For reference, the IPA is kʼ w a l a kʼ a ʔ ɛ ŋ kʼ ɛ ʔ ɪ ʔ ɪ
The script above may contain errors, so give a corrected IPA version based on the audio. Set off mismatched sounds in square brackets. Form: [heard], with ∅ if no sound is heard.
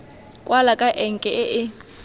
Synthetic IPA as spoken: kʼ w a l a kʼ a ʔ ɛ ŋ kʼ ɛ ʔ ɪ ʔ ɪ